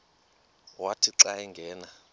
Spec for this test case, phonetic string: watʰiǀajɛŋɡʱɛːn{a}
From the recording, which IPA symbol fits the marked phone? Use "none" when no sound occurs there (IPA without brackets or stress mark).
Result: a